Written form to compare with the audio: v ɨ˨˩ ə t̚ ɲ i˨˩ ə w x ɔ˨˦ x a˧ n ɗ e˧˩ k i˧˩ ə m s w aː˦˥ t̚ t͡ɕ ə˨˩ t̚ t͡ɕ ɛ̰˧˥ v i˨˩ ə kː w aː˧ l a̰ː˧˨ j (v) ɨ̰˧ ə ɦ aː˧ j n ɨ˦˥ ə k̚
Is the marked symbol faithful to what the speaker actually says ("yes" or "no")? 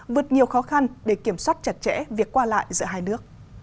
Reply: no